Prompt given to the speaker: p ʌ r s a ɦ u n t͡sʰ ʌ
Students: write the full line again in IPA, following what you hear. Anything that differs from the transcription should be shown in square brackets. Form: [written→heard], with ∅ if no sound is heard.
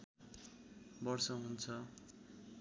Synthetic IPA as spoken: [p→b] ʌ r s [a→ʌ] ɦ u n t͡sʰ ʌ

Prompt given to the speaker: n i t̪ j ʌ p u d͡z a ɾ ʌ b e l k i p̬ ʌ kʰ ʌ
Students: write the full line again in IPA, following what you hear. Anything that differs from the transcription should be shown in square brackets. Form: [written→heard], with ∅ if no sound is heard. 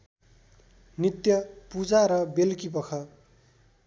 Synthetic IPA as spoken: n i t̪ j ʌ p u d͡z a ɾ ʌ b e l k i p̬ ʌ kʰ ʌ

